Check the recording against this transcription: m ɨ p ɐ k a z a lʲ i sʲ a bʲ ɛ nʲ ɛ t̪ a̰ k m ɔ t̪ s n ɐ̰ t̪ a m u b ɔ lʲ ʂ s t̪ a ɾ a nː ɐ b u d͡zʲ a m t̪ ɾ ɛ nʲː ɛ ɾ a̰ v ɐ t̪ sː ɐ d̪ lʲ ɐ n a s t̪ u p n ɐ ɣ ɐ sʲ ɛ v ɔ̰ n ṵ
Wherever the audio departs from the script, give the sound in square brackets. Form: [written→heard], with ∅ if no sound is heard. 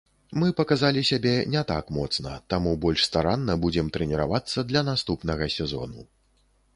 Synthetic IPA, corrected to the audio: m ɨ p ɐ k a z a lʲ i sʲ a bʲ ɛ nʲ ɛ t̪ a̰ k m ɔ t̪ s n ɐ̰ t̪ a m u b ɔ lʲ ʂ s t̪ a ɾ a nː ɐ b u d͡zʲ [a→ɛ] m t̪ ɾ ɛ [nʲː→nʲ] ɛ ɾ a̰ v [ɐ→a] t̪ sː ɐ d̪ lʲ ɐ n a s t̪ u p n ɐ ɣ ɐ sʲ ɛ [v→z] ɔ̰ n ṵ